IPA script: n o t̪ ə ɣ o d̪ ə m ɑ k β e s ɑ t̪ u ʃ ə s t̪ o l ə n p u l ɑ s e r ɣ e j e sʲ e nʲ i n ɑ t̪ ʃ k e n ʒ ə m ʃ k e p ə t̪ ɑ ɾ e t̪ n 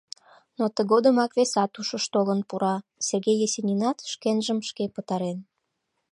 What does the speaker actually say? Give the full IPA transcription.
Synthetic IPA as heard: n o t̪ ə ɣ o d̪ ə m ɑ k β e s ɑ t̪ u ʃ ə ʃ t̪ o l ə n p u ɾ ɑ s e r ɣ e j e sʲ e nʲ i n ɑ t̪ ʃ k e n ʒ ə m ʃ k e p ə t̪ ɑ ɾ e n